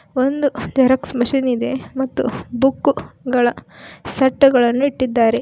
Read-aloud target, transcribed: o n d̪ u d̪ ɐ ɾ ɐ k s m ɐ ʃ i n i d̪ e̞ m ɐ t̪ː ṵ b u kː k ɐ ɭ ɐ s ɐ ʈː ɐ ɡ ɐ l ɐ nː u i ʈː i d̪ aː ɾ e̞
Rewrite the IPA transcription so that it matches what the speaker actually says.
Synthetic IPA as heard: o n d̪ u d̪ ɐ ɾ ɐ k s m ɐ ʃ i n i d̪ e̞ m ɐ t̪ː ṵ b u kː ɡ ɐ ɭ ɐ s ɐ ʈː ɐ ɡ ɐ ɭ ɐ nː u i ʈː i d̪ː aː ɾ e̞